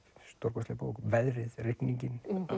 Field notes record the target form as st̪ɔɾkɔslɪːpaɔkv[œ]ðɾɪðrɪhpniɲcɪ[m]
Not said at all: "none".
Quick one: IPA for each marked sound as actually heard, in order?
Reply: ɛ, n

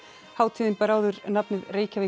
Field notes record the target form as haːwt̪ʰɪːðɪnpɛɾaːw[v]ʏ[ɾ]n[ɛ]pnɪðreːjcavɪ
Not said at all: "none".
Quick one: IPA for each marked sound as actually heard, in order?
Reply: ð, ɾ, a

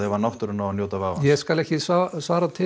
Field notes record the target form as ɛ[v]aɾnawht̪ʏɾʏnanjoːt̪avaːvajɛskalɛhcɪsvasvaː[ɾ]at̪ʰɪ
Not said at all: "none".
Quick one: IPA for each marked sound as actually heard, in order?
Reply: v, ɾ

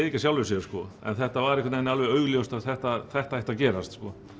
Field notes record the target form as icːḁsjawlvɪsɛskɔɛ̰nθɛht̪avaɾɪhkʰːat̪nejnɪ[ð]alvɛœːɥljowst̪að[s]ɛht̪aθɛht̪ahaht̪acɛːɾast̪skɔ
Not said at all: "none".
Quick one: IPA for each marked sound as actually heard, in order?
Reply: none, θ

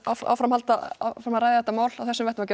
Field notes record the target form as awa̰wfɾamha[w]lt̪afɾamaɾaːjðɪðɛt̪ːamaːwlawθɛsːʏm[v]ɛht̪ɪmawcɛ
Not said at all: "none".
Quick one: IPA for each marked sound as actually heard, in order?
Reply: none, v

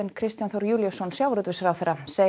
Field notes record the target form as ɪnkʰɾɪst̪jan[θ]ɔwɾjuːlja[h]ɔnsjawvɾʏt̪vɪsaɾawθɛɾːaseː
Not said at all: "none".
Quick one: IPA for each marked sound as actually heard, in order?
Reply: θ, s

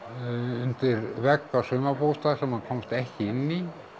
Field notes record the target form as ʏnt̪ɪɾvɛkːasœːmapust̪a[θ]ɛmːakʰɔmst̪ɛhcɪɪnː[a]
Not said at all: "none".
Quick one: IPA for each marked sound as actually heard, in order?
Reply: s, i

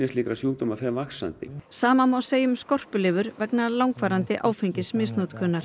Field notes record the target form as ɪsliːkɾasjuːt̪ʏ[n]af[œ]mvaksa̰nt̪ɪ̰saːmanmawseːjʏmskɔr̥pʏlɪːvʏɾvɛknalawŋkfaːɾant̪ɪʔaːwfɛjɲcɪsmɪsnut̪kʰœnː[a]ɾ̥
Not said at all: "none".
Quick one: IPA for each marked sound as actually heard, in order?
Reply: m, ɛ, a

